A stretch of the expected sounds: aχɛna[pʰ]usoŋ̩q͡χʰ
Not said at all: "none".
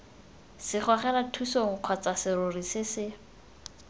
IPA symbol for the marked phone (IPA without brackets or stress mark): tʰ